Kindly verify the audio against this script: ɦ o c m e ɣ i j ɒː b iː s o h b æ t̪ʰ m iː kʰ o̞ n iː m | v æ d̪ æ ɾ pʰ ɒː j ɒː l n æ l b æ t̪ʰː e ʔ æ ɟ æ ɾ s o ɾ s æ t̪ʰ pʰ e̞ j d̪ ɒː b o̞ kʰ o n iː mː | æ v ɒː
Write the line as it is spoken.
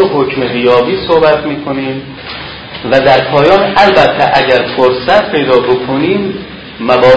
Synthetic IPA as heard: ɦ o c m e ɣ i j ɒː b iː s o h b æ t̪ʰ m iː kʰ o̞ n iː m | v æ d̪ æ ɾ pʰ ɒː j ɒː n æ l b æ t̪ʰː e ʔ æ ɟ æ ɾ f o ɾ s æ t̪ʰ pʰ e̞ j d̪ ɒː b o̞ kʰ o n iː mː | æ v ɒː